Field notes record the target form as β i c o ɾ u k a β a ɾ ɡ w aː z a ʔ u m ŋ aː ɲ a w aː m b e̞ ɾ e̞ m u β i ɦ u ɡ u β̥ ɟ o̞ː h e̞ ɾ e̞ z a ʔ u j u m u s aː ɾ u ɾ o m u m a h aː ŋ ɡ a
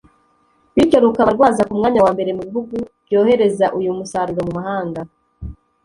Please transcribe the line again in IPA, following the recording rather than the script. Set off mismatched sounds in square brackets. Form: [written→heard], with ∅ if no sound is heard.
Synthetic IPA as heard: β i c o ɾ u k a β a ɾ ɡ w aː z a [ʔ→k] u m ŋ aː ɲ a w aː m b e̞ ɾ e̞ m u β i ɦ u ɡ u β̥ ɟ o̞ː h e̞ ɾ e̞ z a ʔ u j u m u s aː ɾ u ɾ o m u m a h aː ŋ ɡ a